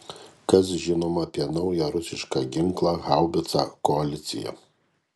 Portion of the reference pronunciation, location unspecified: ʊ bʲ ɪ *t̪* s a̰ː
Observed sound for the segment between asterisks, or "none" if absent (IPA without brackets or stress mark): t̪